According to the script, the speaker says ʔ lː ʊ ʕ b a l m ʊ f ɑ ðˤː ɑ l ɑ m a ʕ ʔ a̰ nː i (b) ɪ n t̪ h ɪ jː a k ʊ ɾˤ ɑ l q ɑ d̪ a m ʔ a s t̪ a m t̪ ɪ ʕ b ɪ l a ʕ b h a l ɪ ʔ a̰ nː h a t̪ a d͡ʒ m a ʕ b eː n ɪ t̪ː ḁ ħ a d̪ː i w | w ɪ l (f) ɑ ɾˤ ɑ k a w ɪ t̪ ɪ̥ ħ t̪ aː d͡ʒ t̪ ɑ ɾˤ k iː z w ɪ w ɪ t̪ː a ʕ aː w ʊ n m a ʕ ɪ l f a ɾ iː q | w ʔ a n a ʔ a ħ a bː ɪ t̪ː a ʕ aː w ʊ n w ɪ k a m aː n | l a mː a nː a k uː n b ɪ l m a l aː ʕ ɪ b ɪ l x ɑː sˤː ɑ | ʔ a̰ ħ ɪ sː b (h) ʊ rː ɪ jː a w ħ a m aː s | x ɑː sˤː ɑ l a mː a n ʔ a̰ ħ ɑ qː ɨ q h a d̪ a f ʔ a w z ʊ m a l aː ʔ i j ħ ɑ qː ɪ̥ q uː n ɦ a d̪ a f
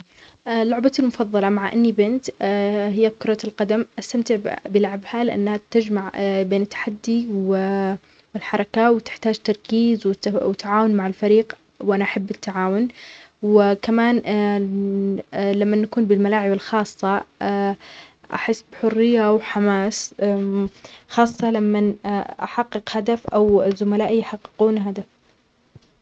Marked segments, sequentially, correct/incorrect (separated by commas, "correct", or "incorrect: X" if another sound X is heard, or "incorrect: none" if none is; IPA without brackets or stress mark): correct, incorrect: ħ, incorrect: ħ